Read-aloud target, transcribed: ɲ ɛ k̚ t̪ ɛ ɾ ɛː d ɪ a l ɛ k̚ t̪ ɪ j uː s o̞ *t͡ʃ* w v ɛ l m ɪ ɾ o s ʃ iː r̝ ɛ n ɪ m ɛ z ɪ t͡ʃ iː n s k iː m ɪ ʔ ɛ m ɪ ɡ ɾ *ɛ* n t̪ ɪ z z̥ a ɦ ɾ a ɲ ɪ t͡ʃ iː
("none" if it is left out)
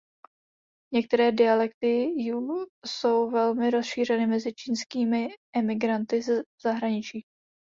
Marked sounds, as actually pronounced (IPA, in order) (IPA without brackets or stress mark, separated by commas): none, a